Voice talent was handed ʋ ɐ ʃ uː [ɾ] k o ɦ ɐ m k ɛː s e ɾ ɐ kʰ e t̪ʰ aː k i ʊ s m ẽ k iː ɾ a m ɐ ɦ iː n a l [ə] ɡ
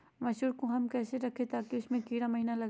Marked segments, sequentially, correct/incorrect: correct, incorrect: ɐ

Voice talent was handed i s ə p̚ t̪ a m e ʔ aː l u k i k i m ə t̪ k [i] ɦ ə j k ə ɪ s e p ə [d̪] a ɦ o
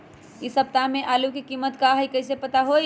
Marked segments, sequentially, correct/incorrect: incorrect: a, incorrect: t̪

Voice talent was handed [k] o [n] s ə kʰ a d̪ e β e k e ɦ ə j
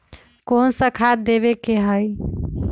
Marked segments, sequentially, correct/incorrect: correct, correct

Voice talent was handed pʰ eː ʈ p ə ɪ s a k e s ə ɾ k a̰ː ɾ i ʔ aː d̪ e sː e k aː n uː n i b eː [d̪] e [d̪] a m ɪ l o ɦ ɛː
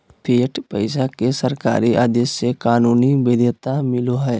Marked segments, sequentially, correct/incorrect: correct, incorrect: t̪

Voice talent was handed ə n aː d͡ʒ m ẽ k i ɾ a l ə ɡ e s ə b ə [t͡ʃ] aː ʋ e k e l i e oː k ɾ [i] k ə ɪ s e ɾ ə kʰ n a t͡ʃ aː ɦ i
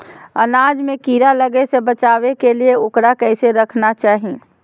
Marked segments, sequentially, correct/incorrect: correct, incorrect: a

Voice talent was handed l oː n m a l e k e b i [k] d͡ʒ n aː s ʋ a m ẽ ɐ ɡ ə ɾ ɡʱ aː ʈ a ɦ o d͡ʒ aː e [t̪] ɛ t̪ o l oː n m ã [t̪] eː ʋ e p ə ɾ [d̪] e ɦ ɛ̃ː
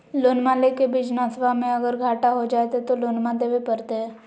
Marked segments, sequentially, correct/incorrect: incorrect: none, correct, incorrect: d̪, incorrect: t̪

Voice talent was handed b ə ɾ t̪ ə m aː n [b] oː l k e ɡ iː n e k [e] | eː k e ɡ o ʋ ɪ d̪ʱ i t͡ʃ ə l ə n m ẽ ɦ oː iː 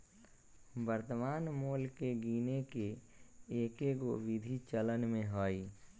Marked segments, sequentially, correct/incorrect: incorrect: m, correct

